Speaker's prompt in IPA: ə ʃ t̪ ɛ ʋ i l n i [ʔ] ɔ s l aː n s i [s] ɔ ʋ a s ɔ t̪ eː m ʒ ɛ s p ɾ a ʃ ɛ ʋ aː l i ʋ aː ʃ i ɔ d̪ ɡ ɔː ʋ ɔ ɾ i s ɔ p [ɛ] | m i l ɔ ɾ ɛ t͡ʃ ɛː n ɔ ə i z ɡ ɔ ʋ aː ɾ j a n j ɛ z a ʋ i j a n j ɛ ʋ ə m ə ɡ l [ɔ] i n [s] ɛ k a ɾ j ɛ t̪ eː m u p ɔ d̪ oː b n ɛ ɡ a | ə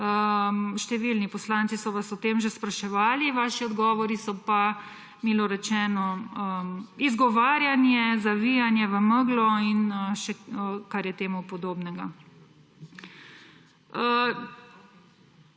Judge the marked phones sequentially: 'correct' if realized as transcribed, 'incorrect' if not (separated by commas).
incorrect, correct, incorrect, correct, incorrect